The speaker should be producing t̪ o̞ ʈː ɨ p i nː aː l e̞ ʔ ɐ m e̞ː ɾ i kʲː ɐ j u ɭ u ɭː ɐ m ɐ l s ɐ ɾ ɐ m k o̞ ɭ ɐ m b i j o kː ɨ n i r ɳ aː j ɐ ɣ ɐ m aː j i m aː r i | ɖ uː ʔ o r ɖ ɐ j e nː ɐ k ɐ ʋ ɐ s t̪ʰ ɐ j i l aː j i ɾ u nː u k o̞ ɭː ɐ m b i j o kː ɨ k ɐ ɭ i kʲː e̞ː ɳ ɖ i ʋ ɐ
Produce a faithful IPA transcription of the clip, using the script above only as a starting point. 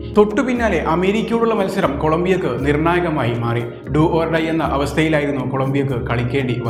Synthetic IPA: t̪ o̞ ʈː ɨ p i nː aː l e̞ ʔ ɐ m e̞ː ɾ i kʲː ɐ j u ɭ u ɭː ɐ m ɐ l s ɐ ɾ ɐ m k o̞ ɭ ɐ m b i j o kː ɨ n i r ɳ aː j ɐ ɣ ɐ m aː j i m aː r i | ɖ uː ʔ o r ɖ ɐ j e nː ɐ ʔ ɐ ʋ ɐ s t̪ʰ ɐ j i l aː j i ɾ u nː u k o̞ ɭ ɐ m b i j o kː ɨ k ɐ ɭ i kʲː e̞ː ɳ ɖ i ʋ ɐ